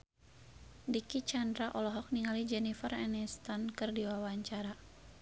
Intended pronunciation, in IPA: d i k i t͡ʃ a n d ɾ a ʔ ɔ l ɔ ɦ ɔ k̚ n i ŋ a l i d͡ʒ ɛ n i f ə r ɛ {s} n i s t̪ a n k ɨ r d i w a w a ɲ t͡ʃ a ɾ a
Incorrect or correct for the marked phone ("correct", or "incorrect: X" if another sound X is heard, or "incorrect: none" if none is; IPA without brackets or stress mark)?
incorrect: none